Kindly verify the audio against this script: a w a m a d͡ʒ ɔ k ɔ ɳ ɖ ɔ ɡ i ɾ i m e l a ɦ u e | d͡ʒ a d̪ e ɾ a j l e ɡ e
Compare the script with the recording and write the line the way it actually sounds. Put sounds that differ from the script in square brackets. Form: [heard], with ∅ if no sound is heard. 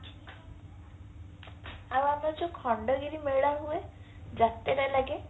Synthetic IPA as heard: a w a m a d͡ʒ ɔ [kʰ] ɔ ɳ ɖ ɔ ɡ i ɾ i m e [ɭ] a ɦ u e | d͡ʒ a [t̪] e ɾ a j l [a] ɡ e

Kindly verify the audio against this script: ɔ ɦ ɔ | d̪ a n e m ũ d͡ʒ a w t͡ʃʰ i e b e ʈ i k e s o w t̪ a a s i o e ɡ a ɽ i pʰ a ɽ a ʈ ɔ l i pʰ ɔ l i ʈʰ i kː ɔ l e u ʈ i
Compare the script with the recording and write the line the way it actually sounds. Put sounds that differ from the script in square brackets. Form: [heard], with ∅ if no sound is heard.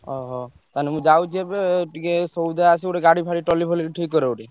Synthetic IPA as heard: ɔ ɦ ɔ | [t̪] a n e m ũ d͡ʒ a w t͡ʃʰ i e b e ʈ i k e s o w [d̪] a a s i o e ɡ a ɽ i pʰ a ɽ [i] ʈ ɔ l i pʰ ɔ l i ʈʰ i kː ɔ [ɾ] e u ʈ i

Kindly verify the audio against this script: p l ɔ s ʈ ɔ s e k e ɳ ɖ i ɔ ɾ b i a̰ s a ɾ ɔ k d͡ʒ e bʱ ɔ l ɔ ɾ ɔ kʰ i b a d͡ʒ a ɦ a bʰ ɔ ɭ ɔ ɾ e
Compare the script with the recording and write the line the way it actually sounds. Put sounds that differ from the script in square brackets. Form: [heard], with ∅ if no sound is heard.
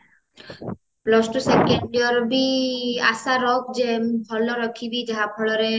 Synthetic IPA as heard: p l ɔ s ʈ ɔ s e k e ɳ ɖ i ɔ ɾ b i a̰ s a ɾ ɔ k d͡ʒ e bʱ ɔ l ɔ ɾ ɔ kʰ i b [i] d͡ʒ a ɦ a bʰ ɔ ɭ ɔ ɾ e

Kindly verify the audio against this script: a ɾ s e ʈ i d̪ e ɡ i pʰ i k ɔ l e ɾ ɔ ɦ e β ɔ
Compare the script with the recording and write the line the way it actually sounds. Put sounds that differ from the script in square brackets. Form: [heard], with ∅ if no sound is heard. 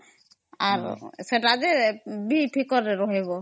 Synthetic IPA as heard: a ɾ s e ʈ [a] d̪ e [b] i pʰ i k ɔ [ɾ] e ɾ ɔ ɦ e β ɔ

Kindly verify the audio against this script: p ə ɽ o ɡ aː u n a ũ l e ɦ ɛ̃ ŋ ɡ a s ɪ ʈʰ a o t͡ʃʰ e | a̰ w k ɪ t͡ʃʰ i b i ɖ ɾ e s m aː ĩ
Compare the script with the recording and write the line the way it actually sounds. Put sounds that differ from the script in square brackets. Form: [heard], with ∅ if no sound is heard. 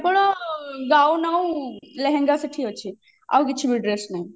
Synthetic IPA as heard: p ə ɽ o ɡ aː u n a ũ l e ɦ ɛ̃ ŋ ɡ a s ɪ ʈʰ [i] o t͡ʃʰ [i] | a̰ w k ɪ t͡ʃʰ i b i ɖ ɾ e s [n] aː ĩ

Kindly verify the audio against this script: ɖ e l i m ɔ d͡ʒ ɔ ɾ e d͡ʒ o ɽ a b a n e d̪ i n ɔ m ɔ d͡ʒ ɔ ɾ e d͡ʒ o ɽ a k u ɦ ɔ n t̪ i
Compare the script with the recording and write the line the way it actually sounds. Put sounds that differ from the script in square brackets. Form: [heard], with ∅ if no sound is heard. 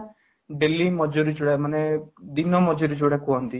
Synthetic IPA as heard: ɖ e l i m ɔ d͡ʒ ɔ ɾ [i] d͡ʒ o ɽ a [m] a n e d̪ i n ɔ m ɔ d͡ʒ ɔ ɾ [i] d͡ʒ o ɽ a k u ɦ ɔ n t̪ i

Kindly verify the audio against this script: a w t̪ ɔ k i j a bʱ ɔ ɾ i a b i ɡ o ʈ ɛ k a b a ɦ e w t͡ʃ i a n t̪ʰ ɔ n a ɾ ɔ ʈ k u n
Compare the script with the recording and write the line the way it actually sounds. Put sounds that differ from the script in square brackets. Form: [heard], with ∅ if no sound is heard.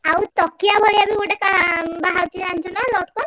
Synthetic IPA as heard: a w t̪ ɔ k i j a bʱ ɔ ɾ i a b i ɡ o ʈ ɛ k a b a ɦ [a] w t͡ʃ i a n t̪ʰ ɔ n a [l] ɔ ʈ k [ɔ] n

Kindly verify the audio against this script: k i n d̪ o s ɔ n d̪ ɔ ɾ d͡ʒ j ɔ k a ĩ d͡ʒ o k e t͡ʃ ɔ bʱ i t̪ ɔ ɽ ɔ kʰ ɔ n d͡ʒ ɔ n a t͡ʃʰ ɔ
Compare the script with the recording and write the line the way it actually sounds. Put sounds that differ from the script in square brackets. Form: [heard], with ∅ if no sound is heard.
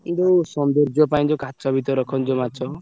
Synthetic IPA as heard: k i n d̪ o s ɔ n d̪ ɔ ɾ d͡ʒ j ɔ [p] a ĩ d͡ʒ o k [a] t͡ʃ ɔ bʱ i t̪ ɔ [ɾ] ɔ kʰ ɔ n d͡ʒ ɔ [m] a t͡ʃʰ ɔ

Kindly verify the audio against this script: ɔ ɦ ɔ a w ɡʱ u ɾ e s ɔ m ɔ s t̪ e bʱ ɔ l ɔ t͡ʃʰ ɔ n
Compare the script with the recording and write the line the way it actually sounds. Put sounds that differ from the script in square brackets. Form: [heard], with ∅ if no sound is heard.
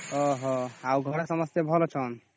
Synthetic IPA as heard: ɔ ɦ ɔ a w ɡʱ [ɔ] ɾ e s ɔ m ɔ s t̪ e bʱ ɔ l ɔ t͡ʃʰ ɔ n

